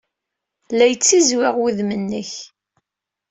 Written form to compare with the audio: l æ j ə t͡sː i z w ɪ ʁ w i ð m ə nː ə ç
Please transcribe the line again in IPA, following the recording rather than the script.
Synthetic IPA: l æ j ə t͡sː i z w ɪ ʁ w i ð m ə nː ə ç

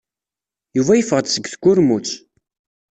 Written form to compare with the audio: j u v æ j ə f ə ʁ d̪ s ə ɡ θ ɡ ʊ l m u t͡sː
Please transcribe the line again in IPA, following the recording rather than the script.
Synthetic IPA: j u v æ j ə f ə ʁ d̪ s ə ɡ θ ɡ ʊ ɾ m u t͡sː

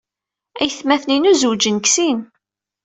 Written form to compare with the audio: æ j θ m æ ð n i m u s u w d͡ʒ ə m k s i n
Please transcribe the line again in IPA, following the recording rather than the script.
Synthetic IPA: æ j θ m æ θ n i n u z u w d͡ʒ ə n k s i n

